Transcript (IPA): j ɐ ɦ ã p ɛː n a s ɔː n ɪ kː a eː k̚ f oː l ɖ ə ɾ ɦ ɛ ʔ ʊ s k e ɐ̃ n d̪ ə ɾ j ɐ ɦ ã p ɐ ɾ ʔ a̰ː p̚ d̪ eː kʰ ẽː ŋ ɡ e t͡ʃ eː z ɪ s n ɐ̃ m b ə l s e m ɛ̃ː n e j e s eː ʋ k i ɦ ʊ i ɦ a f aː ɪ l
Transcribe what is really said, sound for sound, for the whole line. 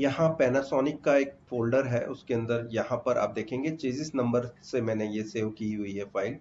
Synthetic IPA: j ɐ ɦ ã p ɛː n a s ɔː n ɪ kː a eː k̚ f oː l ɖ ə ɾ ɦ ɛ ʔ ʊ s k e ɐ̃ n d̪ ə ɾ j ɐ ɦ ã p ɐ ɾ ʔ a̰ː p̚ d̪ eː kʰ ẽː ŋ ɡ e t͡ʃ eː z ɪ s n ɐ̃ m b ə ɾ s e m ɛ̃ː n e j e s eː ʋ k i ɦ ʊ i ɦ ɛ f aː ɪ l